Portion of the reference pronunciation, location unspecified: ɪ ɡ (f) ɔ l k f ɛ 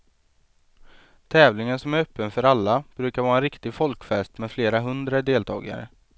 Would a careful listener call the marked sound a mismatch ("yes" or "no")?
no